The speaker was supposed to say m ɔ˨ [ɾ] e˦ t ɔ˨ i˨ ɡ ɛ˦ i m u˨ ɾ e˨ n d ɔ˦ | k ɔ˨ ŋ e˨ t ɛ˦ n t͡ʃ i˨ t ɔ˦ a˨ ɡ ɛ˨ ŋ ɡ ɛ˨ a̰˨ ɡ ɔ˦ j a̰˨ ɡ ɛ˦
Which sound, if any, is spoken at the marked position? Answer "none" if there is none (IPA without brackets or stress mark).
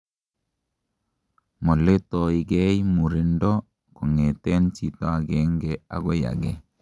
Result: l